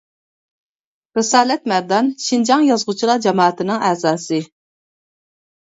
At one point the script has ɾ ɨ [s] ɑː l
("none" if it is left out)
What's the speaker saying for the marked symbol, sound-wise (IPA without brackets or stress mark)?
s